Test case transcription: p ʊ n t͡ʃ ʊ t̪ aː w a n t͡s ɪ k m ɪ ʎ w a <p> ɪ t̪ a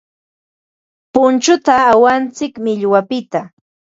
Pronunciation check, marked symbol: correct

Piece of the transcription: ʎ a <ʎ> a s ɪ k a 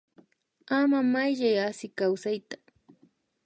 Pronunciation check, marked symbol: incorrect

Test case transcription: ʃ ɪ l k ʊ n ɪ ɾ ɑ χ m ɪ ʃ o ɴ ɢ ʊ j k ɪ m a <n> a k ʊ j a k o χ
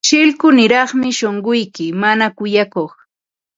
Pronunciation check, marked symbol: correct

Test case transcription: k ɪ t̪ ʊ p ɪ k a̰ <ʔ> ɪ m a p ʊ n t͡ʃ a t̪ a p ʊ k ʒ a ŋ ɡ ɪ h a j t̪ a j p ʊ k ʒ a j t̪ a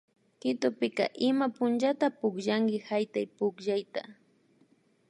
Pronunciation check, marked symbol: correct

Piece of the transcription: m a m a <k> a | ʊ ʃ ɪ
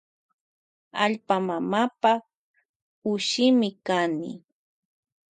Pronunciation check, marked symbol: incorrect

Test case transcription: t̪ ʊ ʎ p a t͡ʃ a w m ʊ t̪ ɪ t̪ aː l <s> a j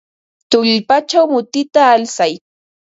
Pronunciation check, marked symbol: correct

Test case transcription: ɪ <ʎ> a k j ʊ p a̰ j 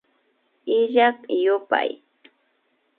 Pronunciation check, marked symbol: correct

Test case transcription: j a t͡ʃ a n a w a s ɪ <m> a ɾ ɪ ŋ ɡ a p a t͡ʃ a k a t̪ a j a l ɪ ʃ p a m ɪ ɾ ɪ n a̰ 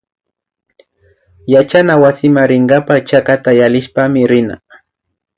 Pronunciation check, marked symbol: correct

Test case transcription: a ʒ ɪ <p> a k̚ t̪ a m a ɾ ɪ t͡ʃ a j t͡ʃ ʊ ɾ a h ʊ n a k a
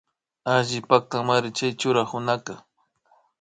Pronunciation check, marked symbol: correct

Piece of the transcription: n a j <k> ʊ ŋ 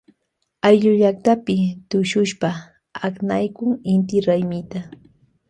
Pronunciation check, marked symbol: correct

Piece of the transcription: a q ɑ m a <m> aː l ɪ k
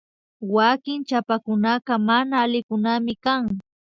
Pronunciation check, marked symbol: incorrect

